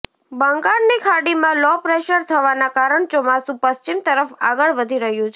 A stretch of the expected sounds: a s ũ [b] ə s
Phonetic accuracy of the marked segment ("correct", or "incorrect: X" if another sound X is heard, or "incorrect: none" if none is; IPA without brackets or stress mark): incorrect: p